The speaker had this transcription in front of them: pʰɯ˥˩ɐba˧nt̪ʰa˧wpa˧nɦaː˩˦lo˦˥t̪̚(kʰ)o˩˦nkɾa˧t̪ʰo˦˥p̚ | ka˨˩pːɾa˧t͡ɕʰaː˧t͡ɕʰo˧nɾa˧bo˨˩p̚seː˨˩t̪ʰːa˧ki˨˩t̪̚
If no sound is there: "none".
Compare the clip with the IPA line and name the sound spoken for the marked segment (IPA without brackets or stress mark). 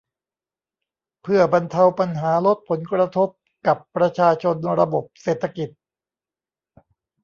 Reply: pʰ